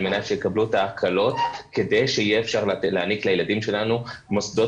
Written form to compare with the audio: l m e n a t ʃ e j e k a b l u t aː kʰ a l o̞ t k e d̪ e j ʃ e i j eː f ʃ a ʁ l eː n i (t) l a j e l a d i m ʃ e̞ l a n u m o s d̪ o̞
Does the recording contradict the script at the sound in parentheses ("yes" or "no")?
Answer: yes